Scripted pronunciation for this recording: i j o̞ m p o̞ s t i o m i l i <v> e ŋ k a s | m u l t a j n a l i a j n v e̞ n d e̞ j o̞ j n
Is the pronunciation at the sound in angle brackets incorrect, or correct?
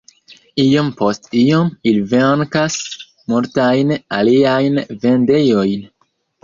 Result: correct